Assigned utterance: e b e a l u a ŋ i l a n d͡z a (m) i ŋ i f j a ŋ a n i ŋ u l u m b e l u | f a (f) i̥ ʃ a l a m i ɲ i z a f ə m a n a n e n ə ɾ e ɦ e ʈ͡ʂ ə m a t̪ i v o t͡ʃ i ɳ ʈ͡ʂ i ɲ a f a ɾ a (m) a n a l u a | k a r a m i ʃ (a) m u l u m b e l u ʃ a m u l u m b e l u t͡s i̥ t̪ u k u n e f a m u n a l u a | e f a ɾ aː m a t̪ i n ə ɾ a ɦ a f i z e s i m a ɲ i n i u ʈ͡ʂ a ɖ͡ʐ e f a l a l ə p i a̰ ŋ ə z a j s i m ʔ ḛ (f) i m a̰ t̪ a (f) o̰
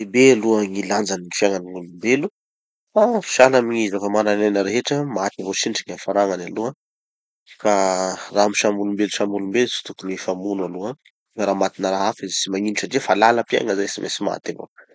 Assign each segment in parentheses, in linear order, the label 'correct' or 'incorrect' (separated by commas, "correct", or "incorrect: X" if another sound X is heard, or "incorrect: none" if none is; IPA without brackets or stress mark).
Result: incorrect: n, correct, incorrect: ŋ, correct, incorrect: s, incorrect: v